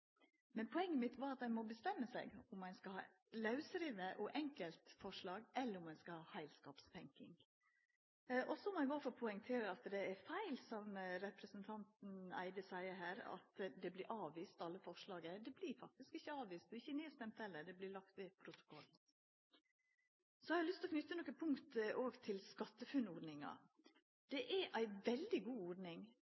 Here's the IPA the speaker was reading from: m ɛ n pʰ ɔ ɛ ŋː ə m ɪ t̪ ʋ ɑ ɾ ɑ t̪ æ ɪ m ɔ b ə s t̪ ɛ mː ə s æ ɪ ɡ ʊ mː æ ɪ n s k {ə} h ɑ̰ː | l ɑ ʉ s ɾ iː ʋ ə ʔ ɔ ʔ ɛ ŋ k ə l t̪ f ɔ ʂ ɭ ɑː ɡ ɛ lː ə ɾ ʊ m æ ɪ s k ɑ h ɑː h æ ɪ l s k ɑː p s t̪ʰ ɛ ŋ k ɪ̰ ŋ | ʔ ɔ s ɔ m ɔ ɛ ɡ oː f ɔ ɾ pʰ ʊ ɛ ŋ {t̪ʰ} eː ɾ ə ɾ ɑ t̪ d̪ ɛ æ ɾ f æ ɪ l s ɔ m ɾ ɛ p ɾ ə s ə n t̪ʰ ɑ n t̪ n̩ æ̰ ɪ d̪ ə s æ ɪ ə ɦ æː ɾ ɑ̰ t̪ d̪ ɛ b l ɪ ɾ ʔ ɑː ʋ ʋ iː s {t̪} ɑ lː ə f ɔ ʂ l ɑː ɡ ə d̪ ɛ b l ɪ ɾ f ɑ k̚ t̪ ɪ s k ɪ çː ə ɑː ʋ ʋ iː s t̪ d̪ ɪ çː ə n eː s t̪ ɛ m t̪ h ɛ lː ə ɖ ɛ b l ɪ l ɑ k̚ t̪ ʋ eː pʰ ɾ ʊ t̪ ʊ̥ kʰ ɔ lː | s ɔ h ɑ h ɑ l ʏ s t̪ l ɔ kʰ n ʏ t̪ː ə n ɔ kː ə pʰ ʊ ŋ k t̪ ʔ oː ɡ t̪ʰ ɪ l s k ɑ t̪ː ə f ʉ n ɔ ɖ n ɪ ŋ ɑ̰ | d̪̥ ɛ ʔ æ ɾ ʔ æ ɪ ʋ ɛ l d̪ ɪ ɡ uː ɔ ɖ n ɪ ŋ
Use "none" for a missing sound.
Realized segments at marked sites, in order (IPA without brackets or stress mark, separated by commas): ɑ, t̪ʰ, t̪